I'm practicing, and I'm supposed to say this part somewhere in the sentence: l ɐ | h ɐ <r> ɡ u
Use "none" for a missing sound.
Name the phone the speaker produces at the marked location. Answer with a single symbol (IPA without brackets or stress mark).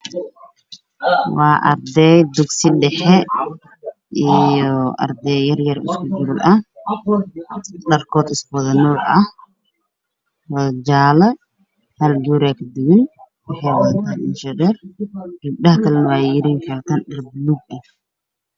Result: l